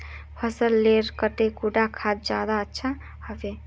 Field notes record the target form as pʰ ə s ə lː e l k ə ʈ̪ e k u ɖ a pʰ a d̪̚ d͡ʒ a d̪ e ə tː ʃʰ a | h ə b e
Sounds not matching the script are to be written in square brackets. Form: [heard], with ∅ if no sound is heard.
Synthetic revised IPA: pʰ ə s ə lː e [ɾ] k ə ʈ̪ e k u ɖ a [kʰ] a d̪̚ d͡ʒ a d̪ [a] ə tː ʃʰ a | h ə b e